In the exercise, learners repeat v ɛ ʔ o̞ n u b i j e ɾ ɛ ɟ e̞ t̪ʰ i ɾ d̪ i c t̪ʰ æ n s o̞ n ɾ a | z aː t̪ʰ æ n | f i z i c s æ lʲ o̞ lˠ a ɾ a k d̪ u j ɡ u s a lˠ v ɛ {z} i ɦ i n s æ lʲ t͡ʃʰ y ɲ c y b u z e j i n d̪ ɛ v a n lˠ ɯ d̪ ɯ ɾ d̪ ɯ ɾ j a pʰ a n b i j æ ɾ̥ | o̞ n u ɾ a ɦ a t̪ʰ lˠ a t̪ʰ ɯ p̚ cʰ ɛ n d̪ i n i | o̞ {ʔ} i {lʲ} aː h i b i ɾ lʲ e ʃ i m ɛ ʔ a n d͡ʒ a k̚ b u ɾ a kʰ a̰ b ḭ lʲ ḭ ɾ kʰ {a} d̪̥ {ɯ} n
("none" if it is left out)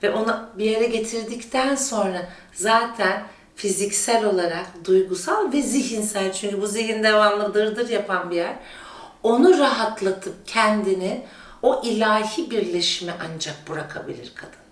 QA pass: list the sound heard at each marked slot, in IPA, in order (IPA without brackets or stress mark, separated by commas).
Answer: z, ʔ, lʲ, a, ɯ